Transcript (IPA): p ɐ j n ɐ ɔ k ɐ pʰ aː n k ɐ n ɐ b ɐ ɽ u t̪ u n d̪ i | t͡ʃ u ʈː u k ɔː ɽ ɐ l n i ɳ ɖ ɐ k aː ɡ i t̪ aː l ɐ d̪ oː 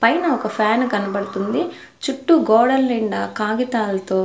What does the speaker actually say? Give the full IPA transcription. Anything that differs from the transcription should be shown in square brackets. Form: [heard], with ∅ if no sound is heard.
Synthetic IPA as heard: p ɐ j n ɐ ɔ k ɐ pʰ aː n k ɐ n ɐ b ɐ ɽ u t̪ u n d̪ i | t͡ʃ u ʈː u [ɡ] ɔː ɽ ɐ l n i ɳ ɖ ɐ k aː ɡ i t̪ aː l ɐ [t̪] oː